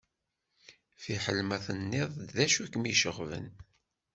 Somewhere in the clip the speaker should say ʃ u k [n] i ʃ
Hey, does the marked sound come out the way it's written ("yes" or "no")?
no